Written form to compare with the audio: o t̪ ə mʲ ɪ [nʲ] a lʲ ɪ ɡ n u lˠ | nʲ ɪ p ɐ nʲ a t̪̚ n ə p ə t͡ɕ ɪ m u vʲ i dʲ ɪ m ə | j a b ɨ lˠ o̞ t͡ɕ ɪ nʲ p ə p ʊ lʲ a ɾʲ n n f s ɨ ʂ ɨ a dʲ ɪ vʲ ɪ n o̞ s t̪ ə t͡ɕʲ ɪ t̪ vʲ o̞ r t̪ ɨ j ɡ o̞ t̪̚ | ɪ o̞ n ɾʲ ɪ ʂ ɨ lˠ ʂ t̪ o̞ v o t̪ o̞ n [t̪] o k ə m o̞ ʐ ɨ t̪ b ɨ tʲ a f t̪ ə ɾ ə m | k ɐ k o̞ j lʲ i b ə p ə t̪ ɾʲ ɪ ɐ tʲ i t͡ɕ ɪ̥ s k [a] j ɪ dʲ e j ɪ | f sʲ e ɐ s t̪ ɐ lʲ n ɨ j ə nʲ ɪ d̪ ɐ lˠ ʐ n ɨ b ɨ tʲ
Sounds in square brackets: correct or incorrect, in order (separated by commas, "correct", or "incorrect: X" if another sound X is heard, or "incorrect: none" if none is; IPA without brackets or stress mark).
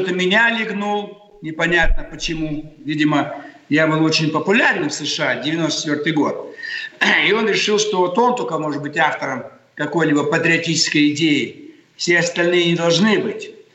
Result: correct, correct, incorrect: ə